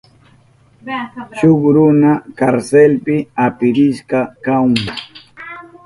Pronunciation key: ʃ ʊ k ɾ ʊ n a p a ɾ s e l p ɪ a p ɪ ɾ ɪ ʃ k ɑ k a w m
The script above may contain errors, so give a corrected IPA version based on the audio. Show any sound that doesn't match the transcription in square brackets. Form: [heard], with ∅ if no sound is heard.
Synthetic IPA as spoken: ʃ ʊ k ɾ ʊ n a [k] a ɾ s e l p ɪ a p ɪ ɾ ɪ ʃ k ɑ k a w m